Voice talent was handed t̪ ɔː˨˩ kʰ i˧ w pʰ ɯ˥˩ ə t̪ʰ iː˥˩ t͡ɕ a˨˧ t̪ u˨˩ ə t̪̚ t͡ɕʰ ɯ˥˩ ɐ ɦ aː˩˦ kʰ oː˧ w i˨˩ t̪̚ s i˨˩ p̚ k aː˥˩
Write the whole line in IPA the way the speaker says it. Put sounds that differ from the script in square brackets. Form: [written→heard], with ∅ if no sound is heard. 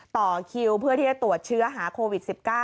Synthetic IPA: t̪ ɔː˨˩ kʰ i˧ w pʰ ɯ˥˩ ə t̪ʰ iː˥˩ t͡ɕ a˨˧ t̪ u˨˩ ə t̪̚ t͡ɕʰ [ɯ˥˩→ɯ˦˥] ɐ ɦ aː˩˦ kʰ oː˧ w i˨˩ t̪̚ s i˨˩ p̚ k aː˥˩